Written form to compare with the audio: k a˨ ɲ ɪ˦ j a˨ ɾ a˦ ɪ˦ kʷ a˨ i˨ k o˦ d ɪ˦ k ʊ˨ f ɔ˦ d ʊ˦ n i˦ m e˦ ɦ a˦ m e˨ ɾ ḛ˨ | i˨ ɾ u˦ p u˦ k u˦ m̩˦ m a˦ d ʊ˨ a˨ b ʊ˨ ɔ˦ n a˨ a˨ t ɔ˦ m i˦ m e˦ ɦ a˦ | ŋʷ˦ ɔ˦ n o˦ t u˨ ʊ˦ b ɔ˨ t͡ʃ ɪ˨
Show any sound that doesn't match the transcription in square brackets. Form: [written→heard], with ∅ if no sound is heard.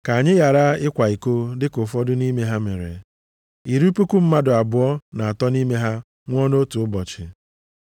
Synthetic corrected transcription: k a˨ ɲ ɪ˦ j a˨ ɾ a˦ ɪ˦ kʷ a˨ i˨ k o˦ d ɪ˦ k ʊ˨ f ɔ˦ d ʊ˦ n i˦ m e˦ ɦ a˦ m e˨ ɾ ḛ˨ | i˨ ɾ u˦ p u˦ k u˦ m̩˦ m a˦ d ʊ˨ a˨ b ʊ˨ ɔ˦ n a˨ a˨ t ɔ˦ [m→n] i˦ m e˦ ɦ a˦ | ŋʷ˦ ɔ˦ n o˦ t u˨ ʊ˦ b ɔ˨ t͡ʃ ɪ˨

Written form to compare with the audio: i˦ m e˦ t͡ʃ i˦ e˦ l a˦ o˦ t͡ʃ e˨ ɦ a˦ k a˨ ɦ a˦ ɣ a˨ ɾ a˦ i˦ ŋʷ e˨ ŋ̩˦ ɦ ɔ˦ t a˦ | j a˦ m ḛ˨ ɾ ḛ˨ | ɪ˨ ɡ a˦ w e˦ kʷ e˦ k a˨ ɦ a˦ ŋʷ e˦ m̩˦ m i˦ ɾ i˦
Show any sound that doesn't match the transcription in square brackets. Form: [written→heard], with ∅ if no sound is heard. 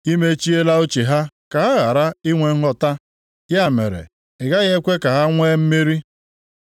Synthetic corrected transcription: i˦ m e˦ t͡ʃ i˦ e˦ l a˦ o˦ t͡ʃ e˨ ɦ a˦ k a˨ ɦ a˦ ɣ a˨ ɾ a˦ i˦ ŋʷ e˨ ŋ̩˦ ɦ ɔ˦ t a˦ | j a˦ m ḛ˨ ɾ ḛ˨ | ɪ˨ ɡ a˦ [w→ɣ] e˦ kʷ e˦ k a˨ ɦ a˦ ŋʷ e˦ m̩˦ m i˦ ɾ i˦

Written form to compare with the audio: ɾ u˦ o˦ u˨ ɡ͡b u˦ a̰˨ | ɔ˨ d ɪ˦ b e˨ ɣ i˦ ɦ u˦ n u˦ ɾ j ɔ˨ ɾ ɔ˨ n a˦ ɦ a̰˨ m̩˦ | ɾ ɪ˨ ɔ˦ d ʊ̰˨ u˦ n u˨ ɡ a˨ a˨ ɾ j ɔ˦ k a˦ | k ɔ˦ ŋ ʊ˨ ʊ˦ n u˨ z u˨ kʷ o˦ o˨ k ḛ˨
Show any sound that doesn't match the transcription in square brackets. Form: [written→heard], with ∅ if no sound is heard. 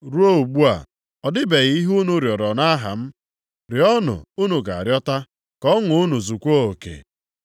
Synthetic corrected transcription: ɾ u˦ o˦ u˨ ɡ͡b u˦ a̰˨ | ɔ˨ d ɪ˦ b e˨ ɣ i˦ ɦ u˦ n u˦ ɾ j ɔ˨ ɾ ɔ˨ n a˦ ɦ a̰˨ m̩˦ | ɾ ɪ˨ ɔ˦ [d→n] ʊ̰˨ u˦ n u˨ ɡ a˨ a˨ ɾ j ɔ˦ [k→t] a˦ | k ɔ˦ ŋ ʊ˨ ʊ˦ n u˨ z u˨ kʷ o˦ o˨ k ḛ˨

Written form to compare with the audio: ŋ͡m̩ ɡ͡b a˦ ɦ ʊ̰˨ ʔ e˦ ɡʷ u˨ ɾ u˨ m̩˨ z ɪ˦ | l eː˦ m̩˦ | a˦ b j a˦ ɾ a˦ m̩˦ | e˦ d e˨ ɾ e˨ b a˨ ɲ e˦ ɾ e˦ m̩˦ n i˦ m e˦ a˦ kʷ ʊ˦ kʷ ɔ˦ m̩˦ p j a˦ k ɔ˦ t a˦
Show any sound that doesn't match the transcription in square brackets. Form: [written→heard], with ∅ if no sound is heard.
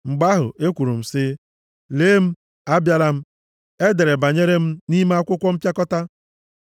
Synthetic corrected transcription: ŋ͡m̩ ɡ͡b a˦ ɦ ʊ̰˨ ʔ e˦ [ɡʷ→kʷ] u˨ ɾ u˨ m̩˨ [z→s] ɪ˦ | l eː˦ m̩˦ | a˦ b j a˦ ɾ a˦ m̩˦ | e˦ d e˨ ɾ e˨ b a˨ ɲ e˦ ɾ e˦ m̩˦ n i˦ m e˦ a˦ kʷ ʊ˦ kʷ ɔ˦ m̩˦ p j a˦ k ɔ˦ t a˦

